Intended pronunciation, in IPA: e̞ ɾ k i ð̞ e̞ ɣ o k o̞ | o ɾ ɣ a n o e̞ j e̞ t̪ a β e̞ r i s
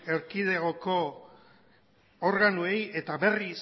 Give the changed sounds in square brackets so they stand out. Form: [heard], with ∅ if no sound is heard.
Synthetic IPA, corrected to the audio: e̞ ɾ k i ð̞ e̞ ɣ o k o̞ | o ɾ ɣ a n [u] e̞ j e̞ t̪ a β e̞ r i s